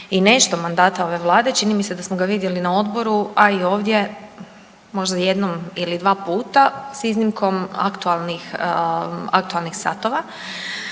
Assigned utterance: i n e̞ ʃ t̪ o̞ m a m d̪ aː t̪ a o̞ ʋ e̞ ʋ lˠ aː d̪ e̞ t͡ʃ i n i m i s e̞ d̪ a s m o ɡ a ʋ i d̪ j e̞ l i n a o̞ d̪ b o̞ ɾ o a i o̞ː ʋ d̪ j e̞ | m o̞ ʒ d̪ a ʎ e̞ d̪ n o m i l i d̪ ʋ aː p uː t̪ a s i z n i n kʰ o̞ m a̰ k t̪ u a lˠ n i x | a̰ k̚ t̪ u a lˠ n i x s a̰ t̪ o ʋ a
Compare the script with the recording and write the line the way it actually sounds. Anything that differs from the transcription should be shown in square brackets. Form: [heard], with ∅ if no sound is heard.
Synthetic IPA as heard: i n e̞ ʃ t̪ o̞ m a [n] d̪ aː t̪ a o̞ ʋ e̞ ʋ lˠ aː d̪ e̞ t͡ʃ i n i m i s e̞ d̪ a s m o ɡ a ʋ i d̪ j e̞ l i n a o̞ d̪ b o̞ ɾ [u] a i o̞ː ʋ d̪ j e̞ | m o̞ ʒ d̪ a [j] e̞ d̪ n o m i l i d̪ ʋ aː p uː t̪ a s i z n i [m] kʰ o̞ m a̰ k t̪ u a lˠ n i x | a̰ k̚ t̪ u a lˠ n i x s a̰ t̪ o ʋ a

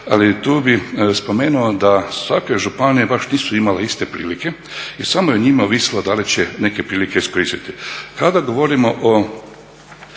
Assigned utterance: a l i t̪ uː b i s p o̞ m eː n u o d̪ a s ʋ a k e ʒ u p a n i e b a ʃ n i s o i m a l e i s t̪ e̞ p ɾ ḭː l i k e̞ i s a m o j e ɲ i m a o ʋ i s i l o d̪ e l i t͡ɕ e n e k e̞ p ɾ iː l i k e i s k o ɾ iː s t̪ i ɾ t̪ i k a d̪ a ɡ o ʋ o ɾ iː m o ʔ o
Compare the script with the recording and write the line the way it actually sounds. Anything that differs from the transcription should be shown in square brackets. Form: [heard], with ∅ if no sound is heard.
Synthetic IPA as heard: a l i t̪ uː b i s p o̞ m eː n u o d̪ a s ʋ a k e ʒ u p a n i e b a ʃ n [iː] s [u] i m a l e i s t̪ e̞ p ɾ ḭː l i k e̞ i s a m o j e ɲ i m a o ʋ i s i l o d̪ [a] l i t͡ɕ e n e k e̞ p ɾ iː l i k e i s k o ɾ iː s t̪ i [∅] t̪ i k a d̪ a ɡ o ʋ o ɾ [i] m o ʔ o

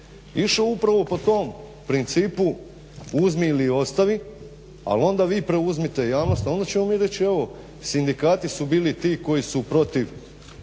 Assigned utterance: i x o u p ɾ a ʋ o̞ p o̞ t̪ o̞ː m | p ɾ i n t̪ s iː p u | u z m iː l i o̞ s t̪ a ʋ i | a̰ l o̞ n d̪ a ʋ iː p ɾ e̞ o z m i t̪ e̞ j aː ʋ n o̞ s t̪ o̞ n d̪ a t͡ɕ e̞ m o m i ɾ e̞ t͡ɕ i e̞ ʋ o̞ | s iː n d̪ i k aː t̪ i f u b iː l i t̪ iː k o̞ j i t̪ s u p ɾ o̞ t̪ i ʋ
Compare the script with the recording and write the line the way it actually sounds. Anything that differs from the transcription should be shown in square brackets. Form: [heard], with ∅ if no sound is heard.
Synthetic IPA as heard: i [ʃ] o u p ɾ a ʋ o̞ p o̞ t̪ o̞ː m | p ɾ i n t̪ s iː p u | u z m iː l i o̞ s t̪ a ʋ i | a̰ l o̞ n d̪ a ʋ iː p ɾ e̞ [u] z m i t̪ e̞ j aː ʋ n o̞ s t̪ o̞ n d̪ a t͡ɕ e̞ m o m i ɾ e̞ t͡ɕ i e̞ ʋ o̞ | s [i] n d̪ i k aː t̪ i [s] u b iː l i t̪ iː k o̞ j i [∅] s u p ɾ o̞ t̪ i ʋ

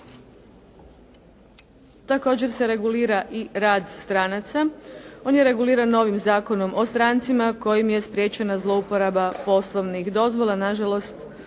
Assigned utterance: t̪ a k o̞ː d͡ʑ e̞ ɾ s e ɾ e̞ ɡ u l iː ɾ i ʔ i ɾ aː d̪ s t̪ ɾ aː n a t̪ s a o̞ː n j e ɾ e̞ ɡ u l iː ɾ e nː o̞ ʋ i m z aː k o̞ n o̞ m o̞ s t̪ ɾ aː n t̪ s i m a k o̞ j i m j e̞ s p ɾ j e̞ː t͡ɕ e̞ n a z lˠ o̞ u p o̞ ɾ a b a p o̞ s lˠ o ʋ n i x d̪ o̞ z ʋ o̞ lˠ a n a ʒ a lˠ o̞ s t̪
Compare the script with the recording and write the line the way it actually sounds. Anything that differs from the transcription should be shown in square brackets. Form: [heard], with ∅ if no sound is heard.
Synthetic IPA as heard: t̪ a k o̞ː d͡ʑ e̞ ɾ s e ɾ e̞ ɡ u l iː ɾ [a] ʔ i ɾ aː d̪ s t̪ ɾ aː n a t̪ s a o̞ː n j e ɾ e̞ ɡ u l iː ɾ [a] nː o̞ ʋ i m z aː k o̞ n o̞ m o̞ s t̪ ɾ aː n t̪ s i m a k o̞ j i m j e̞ s p ɾ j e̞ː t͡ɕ e̞ n a z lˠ o̞ u p o̞ ɾ a b a p o̞ s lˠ o ʋ n i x d̪ o̞ z ʋ o̞ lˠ a n a ʒ a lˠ o̞ s t̪

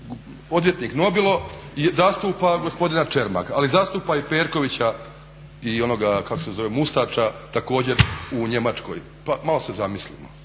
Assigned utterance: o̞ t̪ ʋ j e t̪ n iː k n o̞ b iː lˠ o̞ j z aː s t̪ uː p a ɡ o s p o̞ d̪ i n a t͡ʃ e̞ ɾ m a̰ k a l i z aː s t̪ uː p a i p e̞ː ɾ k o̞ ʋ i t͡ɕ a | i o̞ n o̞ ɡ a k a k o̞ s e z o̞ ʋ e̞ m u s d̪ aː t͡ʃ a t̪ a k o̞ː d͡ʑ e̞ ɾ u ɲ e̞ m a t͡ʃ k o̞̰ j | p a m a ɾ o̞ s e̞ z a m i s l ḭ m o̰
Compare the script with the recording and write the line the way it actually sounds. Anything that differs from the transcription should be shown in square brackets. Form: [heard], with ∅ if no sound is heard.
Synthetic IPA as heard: o̞ [d̪] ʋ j e t̪ n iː k n o̞ b [i] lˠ o̞ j z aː s t̪ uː p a ɡ o s p o̞ d̪ i n a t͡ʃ e̞ ɾ m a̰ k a l i z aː s t̪ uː p a i p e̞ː ɾ k o̞ ʋ i t͡ɕ a | i o̞ n o̞ ɡ a k a k o̞ s e z o̞ ʋ e̞ m u s [t̪] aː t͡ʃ a t̪ a k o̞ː d͡ʑ e̞ ɾ u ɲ e̞ m a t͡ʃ k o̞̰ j | p a m a [l] o̞ s e̞ z a m i s l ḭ m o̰

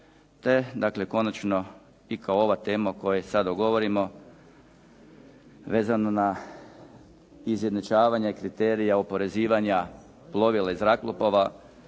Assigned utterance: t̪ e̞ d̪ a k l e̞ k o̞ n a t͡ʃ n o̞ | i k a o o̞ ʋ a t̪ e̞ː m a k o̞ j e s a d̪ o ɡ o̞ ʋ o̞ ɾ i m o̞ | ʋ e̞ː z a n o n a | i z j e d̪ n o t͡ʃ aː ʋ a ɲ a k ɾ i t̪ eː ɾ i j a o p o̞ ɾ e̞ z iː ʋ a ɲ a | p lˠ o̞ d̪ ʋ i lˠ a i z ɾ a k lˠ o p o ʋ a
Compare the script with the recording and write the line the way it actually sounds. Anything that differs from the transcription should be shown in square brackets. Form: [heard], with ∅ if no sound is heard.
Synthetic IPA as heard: t̪ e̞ d̪ a k l e̞ k o̞ n a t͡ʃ n o̞ | i k a o o̞ ʋ a t̪ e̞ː m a k o̞ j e s a d̪ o ɡ o̞ ʋ o̞ ɾ i m o̞ | ʋ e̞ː z a n o n a | i z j e d̪ n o t͡ʃ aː ʋ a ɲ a k ɾ i t̪ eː ɾ i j a o p o̞ ɾ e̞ z iː ʋ a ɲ a | p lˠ o̞ [∅] ʋ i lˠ a i z ɾ a k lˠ o p o ʋ a

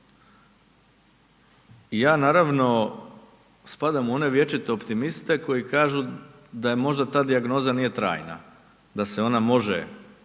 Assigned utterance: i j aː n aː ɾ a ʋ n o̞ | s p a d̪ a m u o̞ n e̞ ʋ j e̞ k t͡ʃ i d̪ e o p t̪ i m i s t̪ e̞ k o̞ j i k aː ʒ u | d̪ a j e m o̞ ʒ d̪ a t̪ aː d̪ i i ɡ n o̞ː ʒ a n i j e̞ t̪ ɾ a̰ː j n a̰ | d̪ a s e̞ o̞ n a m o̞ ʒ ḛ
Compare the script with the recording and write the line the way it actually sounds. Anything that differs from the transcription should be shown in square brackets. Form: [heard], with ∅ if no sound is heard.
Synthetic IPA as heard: i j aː n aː ɾ a ʋ n o̞ | s p a d̪ a m u o̞ n e̞ ʋ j e̞ [∅] t͡ʃ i [t̪] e o p t̪ i m i s t̪ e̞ k o̞ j i k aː ʒ u | d̪ a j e m o̞ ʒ d̪ a t̪ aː d̪ i [a] ɡ n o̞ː [z] a n i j e̞ t̪ ɾ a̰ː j n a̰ | d̪ a s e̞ o̞ n a m o̞ ʒ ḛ

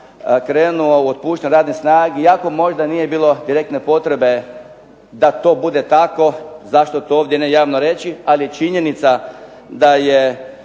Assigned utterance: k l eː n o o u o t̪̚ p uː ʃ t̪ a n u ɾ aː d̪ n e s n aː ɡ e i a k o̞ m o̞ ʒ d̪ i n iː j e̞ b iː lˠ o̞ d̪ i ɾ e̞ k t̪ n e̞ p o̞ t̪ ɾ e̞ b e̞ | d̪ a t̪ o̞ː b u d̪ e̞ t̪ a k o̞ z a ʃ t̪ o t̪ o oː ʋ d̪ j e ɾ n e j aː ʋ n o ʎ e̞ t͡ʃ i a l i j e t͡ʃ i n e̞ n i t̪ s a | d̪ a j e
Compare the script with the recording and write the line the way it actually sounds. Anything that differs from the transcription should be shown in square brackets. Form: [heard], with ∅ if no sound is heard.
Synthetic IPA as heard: k [ɾ] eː n [u] o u o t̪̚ p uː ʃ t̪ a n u ɾ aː d̪ n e s n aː ɡ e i a k o̞ m o̞ ʒ d̪ [a] n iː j e̞ b iː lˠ o̞ d̪ i ɾ e̞ k t̪ n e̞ p o̞ t̪ ɾ e̞ b e̞ | d̪ a t̪ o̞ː b u d̪ e̞ t̪ a k o̞ z a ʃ t̪ o t̪ o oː ʋ d̪ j e [∅] n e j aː ʋ n o [ɾ] e̞ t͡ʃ i a l i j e t͡ʃ i [ɲ] e̞ n i t̪ s a | d̪ a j e

